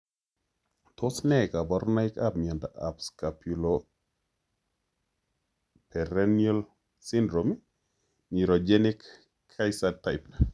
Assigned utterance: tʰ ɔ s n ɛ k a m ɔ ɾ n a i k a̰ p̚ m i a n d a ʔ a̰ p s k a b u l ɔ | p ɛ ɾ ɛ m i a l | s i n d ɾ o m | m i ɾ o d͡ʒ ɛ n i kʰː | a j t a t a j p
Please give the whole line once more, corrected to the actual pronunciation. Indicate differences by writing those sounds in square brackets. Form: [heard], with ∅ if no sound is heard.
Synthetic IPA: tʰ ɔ s n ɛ k a [b] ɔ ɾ n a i k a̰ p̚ m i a n d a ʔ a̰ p s k a [p] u l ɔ | p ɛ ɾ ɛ [n] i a l | s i n d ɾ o m | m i ɾ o d͡ʒ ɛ n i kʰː | a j [s] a t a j p